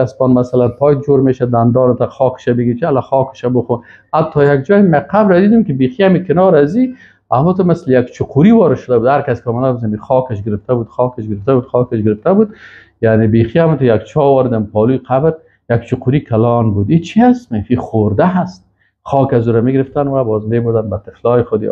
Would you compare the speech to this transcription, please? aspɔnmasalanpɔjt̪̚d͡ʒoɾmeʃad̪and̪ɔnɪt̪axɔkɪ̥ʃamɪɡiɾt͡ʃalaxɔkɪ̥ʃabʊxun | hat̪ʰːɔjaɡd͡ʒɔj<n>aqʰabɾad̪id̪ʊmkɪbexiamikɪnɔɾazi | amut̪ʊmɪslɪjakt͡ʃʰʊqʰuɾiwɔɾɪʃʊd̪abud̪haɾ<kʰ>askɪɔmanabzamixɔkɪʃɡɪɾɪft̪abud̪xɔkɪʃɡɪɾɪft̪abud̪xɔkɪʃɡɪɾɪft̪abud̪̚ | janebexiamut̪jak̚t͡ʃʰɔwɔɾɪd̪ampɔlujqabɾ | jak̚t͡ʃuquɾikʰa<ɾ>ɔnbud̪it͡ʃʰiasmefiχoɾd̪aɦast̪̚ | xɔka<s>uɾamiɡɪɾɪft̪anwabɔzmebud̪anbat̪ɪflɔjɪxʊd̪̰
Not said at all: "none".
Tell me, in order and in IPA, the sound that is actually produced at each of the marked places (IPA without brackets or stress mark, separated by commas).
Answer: m, k, l, z